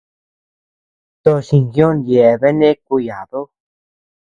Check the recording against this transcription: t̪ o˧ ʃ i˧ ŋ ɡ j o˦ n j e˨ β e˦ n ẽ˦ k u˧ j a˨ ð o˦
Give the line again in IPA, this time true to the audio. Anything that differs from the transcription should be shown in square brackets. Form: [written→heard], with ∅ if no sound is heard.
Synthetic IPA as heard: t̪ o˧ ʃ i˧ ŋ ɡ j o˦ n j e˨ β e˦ n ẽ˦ k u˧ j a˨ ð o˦